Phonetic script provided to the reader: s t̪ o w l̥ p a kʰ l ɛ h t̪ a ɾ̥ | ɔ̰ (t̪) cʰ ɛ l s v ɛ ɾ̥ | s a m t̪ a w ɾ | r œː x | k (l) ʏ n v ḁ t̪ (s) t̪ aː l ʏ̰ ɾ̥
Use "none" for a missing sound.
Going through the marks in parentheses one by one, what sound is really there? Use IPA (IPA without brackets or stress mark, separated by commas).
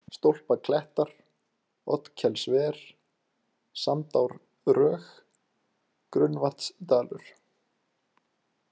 t̪, ɾ, s